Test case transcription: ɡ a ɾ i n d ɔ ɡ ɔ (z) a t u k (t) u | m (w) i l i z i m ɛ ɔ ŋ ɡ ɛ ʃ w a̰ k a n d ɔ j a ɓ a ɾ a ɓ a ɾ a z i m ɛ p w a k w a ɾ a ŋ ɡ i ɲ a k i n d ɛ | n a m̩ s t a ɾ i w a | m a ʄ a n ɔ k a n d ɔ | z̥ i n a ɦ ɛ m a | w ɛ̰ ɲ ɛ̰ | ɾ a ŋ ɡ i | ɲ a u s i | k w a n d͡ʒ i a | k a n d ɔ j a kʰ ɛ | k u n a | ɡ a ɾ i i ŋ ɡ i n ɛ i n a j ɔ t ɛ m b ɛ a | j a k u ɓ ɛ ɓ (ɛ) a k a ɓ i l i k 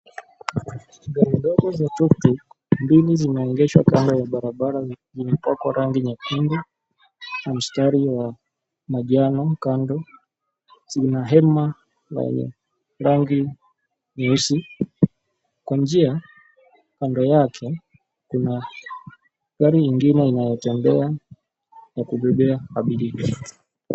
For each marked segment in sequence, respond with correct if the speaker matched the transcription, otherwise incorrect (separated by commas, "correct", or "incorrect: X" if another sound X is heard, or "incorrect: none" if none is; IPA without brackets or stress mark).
correct, correct, incorrect: b, correct